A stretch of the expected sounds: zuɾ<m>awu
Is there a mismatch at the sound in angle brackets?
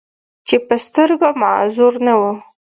yes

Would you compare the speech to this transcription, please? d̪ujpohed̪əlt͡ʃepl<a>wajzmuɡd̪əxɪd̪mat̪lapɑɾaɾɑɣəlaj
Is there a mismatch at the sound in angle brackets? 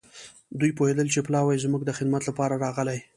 yes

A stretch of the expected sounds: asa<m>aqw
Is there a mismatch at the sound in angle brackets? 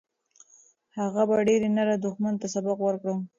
yes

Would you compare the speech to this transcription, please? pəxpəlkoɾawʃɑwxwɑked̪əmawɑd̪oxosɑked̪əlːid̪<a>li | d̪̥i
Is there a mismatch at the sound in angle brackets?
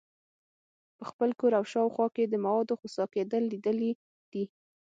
yes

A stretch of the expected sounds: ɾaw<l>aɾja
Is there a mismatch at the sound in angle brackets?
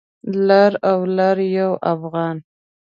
no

